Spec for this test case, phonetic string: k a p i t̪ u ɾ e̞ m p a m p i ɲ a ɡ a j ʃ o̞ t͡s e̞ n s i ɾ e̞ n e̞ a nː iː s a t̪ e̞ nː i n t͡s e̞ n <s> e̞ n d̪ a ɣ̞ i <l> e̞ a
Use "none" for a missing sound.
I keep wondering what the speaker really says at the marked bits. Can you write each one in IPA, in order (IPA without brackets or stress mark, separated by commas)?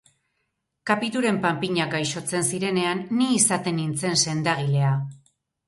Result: s, l